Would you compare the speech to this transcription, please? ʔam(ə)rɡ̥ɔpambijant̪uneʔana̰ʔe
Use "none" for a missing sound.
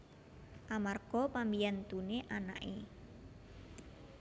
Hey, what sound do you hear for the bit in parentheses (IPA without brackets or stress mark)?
a